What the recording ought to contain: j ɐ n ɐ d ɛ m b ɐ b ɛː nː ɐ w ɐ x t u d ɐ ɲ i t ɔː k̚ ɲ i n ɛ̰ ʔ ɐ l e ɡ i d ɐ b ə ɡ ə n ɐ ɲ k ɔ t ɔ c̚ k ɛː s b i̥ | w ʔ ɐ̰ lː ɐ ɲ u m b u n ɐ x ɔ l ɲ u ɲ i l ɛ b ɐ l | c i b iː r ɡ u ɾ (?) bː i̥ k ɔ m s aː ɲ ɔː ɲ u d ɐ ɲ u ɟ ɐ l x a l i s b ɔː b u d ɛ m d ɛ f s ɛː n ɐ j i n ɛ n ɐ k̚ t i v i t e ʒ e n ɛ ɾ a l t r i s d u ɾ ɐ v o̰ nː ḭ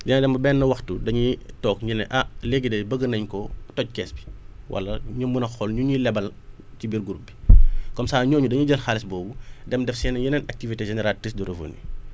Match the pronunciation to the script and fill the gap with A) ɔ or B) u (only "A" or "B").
B